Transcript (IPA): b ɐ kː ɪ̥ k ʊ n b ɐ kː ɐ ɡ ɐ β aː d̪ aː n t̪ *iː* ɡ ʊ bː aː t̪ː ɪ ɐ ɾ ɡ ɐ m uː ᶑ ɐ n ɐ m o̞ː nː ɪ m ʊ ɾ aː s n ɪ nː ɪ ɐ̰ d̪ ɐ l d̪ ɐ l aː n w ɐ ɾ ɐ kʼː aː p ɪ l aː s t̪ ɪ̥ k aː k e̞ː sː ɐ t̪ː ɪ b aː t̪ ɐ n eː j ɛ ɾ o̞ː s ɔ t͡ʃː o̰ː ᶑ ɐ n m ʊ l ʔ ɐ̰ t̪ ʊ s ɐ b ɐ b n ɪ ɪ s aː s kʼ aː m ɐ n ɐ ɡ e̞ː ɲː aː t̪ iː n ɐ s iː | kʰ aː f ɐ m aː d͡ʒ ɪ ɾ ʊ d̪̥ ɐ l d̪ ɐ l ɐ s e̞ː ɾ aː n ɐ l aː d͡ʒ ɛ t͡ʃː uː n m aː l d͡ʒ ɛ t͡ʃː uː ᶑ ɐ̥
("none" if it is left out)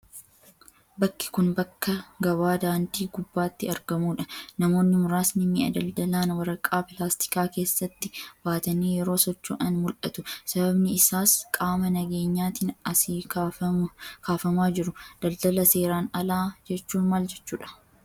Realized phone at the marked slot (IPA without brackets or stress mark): iː